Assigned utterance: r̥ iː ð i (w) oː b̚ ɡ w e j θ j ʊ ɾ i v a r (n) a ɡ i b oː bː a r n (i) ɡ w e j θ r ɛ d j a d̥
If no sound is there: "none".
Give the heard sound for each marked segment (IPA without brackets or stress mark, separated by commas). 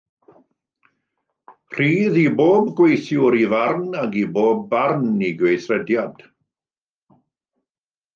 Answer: b, n, i